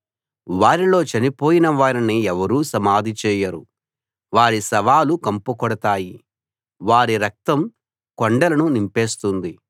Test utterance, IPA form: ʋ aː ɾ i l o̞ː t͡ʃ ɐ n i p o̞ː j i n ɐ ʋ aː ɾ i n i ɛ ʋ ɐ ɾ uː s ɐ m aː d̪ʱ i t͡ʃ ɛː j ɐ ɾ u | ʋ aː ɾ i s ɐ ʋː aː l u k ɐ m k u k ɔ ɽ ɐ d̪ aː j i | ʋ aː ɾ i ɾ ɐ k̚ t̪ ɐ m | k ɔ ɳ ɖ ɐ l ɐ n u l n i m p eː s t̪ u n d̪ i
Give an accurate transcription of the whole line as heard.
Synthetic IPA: ʋ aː ɾ i l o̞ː t͡ʃ ɐ n i p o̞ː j i n ɐ ʋ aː ɾ i n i ɛ ʋ ɐ ɾ uː s ɐ m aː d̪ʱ i t͡ʃ ɛː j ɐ ɾ u | ʋ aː ɾ i s ɐ ʋ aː l u k ɐ m p u k ɔ ɽ ɐ t̪ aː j i | ʋ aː ɾ i ɾ ɐ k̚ t̪ ɐ m | k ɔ ɳ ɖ ɐ l ɐ n u n i m p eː s t̪ u n d̪ i